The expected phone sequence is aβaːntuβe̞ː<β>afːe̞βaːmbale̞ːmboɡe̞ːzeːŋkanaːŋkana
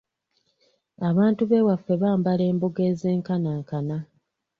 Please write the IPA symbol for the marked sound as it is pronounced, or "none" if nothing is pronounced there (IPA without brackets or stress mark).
w